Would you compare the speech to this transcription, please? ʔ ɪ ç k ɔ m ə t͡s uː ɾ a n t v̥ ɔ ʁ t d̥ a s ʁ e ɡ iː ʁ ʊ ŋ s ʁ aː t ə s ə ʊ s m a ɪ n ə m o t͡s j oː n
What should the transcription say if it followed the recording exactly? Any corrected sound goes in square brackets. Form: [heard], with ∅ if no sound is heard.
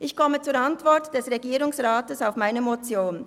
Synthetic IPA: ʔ ɪ ç k ɔ m ə t͡s uː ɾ a n t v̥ ɔ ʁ t d̥ [ɛ] s ʁ e ɡ iː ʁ ʊ ŋ s ʁ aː t ə s [a] ʊ [f] m a ɪ n ə m o t͡s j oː n